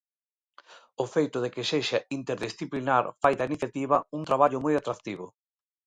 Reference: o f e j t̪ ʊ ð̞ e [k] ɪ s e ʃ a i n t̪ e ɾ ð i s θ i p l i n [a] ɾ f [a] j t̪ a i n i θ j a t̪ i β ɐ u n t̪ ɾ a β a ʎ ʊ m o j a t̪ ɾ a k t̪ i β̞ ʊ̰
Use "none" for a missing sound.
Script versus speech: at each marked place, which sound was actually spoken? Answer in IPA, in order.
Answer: k, a, a

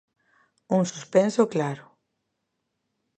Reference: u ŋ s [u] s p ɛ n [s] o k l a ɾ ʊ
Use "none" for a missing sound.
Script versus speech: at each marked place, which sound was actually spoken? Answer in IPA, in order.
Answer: u, s

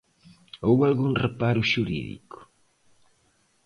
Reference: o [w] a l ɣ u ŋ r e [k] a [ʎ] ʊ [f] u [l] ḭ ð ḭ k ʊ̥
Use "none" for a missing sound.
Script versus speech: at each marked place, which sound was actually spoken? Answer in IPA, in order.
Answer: w, p, ɾ, ʃ, ɾ

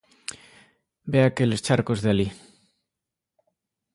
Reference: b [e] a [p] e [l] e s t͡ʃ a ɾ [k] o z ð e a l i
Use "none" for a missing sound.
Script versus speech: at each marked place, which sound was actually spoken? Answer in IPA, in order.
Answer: e, k, l, k

